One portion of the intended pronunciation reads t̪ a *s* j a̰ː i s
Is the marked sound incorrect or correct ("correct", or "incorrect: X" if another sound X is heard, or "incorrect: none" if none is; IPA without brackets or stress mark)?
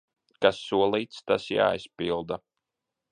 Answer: correct